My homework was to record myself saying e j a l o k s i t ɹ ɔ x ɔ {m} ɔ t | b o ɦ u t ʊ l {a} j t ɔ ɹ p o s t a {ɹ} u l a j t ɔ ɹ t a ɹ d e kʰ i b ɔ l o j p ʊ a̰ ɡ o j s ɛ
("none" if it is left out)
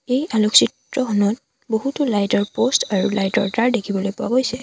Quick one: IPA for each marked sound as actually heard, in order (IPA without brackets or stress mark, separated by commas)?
n, a, ɹ